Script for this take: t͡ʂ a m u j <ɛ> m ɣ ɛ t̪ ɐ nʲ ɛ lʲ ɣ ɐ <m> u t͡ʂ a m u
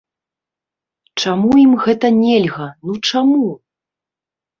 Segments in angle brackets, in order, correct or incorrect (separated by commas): incorrect, incorrect